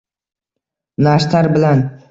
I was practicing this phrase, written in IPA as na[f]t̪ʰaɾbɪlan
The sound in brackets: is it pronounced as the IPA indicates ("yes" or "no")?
no